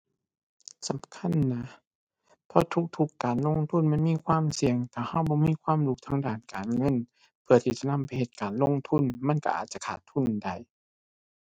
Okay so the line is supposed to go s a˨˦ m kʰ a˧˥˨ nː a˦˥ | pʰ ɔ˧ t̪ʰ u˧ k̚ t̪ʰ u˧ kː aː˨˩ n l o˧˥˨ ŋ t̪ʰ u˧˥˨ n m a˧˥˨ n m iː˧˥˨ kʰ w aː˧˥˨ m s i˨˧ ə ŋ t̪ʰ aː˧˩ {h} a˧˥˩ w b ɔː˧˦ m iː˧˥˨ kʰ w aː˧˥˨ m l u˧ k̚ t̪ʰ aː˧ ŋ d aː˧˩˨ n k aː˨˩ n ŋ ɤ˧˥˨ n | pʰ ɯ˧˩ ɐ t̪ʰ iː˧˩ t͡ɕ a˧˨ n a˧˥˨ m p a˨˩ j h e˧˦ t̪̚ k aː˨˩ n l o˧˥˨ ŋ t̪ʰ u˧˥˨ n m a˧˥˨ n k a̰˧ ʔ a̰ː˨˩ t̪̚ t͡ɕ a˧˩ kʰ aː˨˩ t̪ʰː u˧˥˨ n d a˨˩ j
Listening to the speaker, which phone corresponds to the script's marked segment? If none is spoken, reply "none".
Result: h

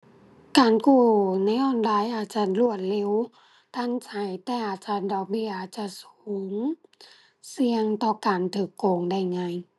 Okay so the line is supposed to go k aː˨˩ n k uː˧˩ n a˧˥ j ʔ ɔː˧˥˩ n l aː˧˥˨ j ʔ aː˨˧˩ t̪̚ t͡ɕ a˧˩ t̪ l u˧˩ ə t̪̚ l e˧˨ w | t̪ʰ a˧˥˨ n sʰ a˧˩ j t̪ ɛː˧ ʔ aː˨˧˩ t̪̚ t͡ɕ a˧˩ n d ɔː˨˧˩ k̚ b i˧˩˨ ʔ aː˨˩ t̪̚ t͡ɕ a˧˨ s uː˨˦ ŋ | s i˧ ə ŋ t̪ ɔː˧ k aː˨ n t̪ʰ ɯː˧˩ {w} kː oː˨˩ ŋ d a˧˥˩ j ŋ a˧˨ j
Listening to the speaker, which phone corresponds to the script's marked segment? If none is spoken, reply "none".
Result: none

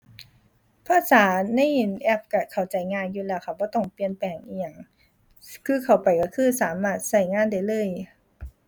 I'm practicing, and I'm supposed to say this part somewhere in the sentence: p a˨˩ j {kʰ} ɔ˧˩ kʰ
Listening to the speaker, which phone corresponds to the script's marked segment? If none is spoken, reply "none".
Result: k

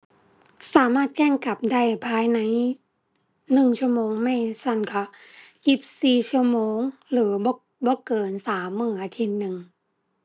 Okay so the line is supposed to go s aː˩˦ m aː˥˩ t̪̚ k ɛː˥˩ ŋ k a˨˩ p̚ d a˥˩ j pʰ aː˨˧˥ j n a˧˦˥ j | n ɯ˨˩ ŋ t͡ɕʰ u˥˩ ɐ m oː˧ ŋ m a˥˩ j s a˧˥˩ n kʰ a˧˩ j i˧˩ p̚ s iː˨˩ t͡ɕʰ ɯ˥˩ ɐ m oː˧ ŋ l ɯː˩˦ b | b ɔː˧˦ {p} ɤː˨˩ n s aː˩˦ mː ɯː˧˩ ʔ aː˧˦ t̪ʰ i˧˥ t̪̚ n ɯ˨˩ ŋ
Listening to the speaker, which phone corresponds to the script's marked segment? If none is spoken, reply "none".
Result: k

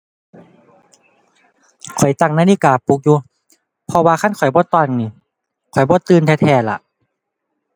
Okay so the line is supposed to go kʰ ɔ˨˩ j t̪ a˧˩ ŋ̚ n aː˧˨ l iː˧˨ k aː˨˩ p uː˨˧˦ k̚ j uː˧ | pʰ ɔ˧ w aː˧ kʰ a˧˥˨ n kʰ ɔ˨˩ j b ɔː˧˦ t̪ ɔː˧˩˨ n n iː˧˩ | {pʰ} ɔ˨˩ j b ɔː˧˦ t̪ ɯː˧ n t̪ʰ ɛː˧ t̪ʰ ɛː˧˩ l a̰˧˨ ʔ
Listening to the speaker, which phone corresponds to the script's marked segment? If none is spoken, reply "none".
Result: kʰ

